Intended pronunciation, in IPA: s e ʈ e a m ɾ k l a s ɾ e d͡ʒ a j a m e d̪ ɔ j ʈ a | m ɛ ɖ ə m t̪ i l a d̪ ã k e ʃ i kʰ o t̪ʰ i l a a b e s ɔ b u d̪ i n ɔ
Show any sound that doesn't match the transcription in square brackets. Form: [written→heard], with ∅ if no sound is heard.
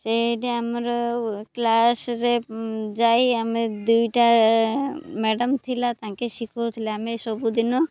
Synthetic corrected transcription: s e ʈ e a m ɾ k l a s ɾ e d͡ʒ a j a m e d̪ [ɔ→u] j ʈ a | m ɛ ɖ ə m [t̪→t̪ʰ] i l a [d̪→t̪] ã k e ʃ i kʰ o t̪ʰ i l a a [b→m] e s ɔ b u d̪ i n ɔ